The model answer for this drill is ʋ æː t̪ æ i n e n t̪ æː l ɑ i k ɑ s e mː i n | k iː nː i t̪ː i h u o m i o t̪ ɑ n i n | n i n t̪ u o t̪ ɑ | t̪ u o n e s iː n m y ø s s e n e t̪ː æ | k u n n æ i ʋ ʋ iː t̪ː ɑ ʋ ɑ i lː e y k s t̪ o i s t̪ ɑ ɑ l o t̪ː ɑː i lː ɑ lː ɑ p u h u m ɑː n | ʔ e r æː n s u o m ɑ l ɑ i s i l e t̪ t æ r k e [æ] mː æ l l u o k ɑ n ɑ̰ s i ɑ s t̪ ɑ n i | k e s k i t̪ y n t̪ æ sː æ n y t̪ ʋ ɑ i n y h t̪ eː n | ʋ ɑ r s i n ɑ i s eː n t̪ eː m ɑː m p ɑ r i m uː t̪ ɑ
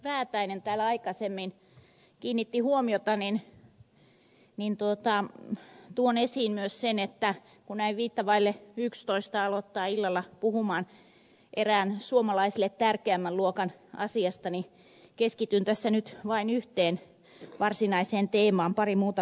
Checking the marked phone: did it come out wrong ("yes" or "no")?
no